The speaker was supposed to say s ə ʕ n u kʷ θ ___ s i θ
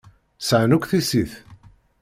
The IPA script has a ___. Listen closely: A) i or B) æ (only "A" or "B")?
A